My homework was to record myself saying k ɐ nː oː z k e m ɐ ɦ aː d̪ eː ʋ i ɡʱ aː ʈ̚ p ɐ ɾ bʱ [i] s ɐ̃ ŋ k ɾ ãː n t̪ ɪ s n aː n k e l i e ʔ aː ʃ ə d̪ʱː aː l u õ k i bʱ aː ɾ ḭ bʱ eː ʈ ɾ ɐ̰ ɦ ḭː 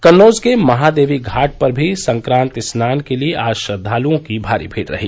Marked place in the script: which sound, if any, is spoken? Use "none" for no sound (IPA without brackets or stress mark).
i